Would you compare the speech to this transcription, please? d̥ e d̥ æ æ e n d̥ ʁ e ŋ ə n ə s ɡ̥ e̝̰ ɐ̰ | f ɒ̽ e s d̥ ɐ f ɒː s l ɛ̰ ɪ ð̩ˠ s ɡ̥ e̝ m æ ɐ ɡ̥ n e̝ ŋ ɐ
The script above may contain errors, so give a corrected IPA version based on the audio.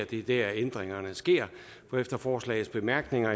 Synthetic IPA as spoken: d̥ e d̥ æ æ e n d̥ ʁ e ŋ ɐ n ə s ɡ̥ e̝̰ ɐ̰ | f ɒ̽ e f d̥ ɐ f ɒː s l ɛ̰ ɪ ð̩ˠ s b̥ e̝ m æ ɐ ɡ̥ n e̝ ŋ ɐ